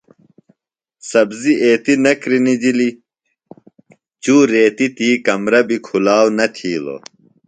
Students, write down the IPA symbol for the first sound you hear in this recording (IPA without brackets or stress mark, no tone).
s